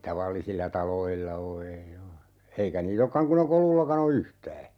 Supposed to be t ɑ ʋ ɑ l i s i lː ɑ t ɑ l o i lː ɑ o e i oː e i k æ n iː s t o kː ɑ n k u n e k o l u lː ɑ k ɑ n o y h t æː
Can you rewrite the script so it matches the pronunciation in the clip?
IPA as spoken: t ɑ ʋ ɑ lː i s i lː ɑ t ɑ l o i lː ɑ o e i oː e i k æ n iː t o kː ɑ ŋ k u n e k o l u lː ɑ k ɑ n o y h t æː